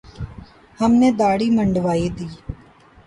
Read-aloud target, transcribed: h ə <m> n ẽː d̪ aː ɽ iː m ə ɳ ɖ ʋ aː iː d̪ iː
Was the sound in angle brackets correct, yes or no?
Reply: yes